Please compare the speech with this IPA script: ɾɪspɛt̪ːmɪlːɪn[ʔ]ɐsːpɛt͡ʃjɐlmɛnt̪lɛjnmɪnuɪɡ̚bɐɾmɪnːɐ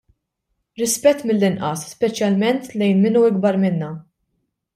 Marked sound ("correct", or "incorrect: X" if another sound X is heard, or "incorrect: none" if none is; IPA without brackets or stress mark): correct